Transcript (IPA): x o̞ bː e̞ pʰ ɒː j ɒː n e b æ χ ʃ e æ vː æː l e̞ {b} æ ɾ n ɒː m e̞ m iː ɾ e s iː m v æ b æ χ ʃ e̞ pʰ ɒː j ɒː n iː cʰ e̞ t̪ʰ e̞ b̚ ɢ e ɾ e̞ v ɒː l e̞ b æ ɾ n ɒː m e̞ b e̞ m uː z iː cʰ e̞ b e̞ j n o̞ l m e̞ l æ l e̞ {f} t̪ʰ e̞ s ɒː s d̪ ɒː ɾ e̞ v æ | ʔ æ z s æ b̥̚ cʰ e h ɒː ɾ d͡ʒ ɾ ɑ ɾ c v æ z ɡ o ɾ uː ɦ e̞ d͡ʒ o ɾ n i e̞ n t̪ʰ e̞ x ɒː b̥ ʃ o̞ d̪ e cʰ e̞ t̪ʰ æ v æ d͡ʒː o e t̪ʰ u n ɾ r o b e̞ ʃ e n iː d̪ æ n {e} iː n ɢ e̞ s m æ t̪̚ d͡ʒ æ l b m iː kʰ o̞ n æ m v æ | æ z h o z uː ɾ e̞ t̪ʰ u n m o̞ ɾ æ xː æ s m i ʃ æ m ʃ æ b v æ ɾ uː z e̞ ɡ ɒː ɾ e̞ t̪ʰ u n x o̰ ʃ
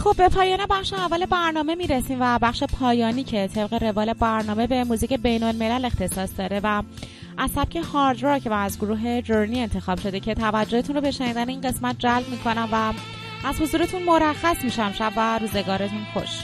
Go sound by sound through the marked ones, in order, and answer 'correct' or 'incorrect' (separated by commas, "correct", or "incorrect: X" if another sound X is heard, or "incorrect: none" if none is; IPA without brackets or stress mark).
correct, incorrect: x, correct